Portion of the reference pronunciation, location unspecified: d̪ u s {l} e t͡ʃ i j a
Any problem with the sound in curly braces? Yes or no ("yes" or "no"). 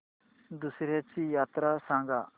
yes